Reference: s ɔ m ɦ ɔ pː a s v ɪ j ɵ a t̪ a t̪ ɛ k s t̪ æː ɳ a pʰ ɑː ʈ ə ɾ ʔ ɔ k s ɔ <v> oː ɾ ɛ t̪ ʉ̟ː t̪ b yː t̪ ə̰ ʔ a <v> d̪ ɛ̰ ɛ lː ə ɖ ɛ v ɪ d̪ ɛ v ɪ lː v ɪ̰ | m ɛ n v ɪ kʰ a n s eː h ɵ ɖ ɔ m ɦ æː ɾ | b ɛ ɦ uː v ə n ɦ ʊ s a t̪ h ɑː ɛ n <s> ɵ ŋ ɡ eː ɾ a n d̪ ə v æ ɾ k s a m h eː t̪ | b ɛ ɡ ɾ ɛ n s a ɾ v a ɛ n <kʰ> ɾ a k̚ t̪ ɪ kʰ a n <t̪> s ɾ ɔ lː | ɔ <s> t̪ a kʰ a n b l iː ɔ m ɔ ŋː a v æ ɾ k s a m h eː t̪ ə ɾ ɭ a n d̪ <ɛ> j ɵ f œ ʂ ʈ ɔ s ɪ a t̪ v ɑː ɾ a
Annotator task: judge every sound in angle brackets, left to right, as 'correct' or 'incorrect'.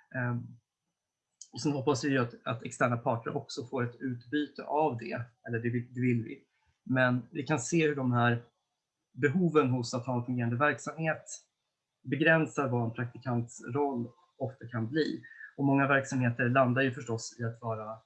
incorrect: f, correct, incorrect: f, incorrect: pʰ, correct, incorrect: f, incorrect: a

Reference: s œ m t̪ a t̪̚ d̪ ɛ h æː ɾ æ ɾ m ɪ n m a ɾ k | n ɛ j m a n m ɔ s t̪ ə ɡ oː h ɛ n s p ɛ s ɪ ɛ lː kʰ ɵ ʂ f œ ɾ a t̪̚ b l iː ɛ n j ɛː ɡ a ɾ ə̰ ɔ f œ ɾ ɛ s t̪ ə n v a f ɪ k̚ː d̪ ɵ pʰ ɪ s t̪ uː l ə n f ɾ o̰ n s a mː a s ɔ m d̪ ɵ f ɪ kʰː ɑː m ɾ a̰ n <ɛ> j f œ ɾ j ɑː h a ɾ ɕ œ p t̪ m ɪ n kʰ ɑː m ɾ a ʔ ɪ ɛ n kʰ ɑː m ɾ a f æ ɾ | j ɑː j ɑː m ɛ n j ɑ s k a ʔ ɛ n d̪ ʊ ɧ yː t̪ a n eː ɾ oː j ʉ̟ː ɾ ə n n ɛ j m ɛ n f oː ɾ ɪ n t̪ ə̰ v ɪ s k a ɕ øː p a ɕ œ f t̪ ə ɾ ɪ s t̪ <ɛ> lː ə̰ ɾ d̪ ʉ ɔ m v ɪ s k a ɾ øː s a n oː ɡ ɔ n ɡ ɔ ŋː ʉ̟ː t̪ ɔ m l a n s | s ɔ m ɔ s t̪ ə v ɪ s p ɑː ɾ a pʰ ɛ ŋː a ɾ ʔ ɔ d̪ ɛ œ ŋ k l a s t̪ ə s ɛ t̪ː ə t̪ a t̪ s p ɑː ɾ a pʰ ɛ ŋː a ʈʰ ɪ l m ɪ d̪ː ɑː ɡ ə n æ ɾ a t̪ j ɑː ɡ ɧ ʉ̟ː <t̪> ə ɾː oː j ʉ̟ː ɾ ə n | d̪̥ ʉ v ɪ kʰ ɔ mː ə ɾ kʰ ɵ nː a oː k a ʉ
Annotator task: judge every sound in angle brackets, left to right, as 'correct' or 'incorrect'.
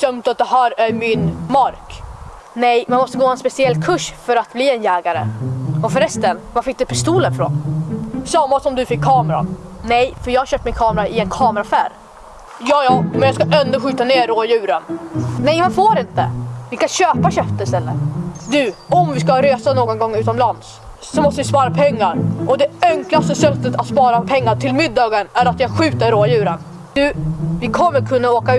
correct, correct, correct

